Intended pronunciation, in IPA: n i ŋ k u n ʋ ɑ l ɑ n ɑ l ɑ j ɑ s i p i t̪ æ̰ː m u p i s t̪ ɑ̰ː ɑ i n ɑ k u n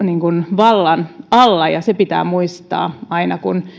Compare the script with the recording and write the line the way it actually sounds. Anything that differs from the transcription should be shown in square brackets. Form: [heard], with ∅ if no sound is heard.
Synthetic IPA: n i ŋ k u n ʋ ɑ [lː] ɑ n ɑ [lː] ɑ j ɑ s [e] p i t̪ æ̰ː m u [∅] i s t̪ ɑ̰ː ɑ i n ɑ k u n